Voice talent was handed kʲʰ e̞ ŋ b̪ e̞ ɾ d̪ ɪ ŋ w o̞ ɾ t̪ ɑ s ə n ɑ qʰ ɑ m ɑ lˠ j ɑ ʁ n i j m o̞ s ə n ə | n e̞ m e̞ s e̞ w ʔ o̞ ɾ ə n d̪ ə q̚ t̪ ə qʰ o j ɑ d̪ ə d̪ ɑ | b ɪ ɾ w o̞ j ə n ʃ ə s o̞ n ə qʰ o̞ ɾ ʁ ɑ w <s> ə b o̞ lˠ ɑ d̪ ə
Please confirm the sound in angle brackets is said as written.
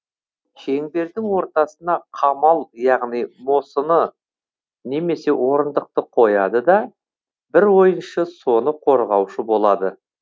no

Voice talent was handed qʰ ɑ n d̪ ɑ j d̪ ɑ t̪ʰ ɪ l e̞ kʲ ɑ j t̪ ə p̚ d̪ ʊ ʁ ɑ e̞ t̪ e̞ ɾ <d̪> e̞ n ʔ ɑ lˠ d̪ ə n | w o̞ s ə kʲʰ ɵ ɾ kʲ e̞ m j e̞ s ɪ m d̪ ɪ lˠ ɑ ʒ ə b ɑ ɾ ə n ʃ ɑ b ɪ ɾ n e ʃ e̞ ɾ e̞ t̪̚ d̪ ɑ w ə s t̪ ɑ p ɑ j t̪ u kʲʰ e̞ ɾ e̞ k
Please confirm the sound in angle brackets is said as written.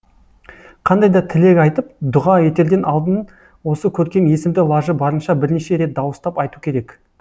yes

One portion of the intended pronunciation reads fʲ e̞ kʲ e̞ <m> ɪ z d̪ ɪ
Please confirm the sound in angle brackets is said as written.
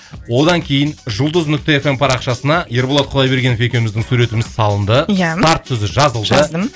yes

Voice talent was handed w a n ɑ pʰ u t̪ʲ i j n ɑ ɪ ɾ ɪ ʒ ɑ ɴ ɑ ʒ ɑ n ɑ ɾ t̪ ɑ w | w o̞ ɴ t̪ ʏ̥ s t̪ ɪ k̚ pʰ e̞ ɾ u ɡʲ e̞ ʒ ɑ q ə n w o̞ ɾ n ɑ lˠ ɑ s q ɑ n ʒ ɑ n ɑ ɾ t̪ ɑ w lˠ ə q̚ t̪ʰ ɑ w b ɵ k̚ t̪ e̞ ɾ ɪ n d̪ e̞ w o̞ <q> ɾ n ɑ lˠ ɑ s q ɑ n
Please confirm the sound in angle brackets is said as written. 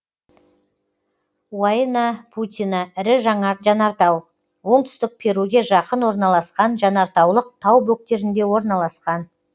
no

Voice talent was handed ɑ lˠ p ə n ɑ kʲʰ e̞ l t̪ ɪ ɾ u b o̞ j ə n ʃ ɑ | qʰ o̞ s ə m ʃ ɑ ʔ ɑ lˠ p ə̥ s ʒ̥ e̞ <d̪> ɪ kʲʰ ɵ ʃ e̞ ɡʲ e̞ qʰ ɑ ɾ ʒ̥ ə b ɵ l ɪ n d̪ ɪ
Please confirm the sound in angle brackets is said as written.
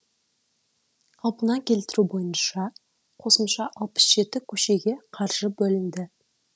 no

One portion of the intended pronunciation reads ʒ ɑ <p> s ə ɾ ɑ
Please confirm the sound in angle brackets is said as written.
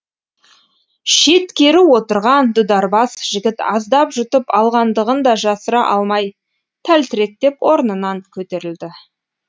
no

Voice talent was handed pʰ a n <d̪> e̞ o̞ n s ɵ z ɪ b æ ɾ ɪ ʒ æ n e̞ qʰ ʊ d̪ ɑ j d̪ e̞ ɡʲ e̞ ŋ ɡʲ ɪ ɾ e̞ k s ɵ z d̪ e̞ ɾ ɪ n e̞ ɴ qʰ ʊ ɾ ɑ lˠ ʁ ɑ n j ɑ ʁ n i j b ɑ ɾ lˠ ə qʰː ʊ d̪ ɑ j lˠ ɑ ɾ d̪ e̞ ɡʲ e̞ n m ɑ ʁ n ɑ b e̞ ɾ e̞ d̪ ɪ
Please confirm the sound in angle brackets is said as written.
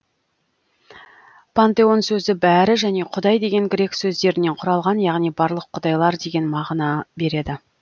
no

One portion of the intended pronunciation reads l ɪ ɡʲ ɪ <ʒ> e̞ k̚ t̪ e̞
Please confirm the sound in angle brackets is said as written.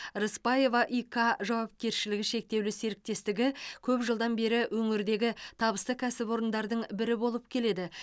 no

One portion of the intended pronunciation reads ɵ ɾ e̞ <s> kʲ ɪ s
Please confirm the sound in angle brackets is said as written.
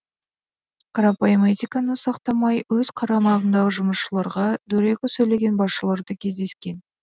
no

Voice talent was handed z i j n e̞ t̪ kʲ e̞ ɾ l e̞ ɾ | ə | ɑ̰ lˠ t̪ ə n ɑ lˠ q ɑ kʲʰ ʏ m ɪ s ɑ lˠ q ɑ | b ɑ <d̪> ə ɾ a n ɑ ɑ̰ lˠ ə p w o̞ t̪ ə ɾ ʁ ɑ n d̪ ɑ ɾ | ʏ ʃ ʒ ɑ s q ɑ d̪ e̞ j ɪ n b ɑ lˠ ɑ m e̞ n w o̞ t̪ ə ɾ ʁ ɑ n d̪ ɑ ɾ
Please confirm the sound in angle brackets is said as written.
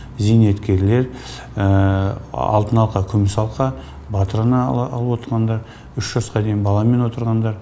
no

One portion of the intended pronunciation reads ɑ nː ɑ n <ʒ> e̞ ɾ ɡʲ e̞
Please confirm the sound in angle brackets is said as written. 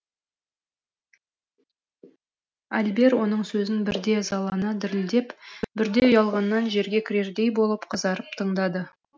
yes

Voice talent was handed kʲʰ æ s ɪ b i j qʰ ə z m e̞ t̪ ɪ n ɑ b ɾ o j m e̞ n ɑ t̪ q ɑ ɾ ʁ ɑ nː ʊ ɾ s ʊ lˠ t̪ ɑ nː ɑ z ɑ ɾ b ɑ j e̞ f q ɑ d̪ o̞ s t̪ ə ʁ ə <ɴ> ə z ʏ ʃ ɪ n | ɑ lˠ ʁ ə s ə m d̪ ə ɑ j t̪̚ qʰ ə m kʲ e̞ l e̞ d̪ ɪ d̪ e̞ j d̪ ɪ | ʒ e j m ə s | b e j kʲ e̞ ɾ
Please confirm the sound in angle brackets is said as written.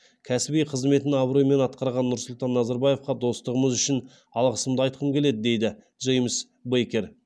no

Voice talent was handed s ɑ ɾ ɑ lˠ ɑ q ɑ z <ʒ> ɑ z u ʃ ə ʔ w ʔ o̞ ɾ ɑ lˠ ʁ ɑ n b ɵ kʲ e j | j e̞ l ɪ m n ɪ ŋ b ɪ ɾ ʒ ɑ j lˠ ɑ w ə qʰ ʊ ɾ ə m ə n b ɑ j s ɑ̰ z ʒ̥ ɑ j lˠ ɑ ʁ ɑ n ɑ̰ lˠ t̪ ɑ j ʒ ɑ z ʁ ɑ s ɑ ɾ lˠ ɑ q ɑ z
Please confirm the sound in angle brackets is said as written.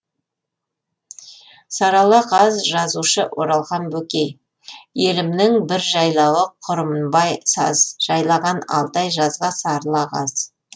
yes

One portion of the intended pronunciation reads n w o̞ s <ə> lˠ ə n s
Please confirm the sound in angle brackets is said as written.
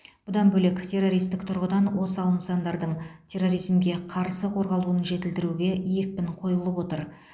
no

